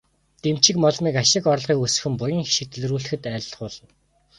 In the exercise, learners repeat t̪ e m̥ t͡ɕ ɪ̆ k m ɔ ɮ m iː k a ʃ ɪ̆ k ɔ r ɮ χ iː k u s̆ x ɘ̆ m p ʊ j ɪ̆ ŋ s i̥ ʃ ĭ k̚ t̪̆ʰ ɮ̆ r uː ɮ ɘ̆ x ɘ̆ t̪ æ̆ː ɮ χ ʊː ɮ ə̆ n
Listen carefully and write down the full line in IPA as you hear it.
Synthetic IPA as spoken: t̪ e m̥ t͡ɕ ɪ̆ k m ɔ ɮ m iː k a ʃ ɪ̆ k ɔ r ɮ ʁ iː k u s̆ x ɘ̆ m p ʊ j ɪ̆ ŋ x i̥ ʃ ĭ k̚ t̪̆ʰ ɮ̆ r uː ɮ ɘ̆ x ɘ̆ t̪ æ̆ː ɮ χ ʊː ɮ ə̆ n